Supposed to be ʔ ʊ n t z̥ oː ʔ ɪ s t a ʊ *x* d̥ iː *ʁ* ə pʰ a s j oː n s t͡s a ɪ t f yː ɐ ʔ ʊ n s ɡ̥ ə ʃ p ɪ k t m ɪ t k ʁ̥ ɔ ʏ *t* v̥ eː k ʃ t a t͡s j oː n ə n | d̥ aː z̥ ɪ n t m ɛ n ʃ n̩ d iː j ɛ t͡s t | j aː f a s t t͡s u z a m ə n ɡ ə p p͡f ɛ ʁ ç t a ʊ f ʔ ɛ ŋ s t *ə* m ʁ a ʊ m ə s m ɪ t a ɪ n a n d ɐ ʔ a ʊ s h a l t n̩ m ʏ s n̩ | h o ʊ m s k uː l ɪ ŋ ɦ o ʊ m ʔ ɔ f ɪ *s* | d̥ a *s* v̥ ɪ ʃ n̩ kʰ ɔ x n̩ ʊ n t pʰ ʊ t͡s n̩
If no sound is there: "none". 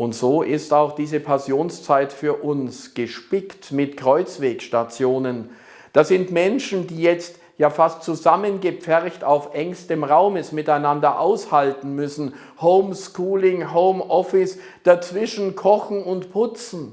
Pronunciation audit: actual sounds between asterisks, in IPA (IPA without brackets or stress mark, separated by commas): x, z, t͡s, ə, s, t͡s